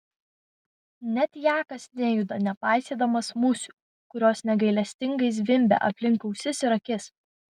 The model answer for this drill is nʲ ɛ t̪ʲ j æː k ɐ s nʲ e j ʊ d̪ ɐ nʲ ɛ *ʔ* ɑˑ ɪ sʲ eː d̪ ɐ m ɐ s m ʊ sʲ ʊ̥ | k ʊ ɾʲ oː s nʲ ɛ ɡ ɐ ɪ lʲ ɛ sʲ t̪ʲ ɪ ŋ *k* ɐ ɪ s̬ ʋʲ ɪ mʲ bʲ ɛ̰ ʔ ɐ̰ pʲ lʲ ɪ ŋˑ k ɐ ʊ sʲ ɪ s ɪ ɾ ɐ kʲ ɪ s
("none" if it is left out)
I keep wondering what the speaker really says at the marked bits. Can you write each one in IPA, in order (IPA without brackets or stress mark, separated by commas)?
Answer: p, ɡ